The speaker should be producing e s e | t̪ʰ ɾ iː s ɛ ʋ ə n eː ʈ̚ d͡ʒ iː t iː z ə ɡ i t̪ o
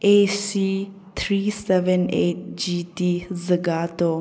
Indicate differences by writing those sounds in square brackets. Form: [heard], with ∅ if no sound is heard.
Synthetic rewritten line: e s [i] | t̪ʰ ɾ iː s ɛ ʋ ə n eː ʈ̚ d͡ʒ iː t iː z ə ɡ [a] t̪ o